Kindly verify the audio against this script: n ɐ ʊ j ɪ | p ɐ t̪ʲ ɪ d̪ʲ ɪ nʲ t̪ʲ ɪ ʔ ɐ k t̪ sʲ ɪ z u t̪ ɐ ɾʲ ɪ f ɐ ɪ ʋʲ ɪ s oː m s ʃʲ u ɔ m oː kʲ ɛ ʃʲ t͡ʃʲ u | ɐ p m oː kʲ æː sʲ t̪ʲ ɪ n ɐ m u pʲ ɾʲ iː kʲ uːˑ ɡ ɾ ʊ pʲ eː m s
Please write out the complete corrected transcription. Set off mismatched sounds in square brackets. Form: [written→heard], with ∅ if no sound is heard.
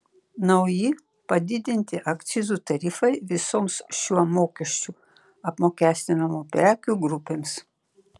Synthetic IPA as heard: n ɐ ʊ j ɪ | p ɐ [t̪ʲ→d̪ʲ] ɪ d̪ʲ ɪ nʲ t̪ʲ ɪ ʔ ɐ k t̪ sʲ ɪ z u t̪ ɐ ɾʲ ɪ f ɐ ɪ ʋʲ ɪ s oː m s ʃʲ u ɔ m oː kʲ ɛ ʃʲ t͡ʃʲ u | ɐ p m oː kʲ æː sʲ t̪ʲ ɪ n ɐ m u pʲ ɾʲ [iː→æː] kʲ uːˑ ɡ ɾ ʊ pʲ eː m s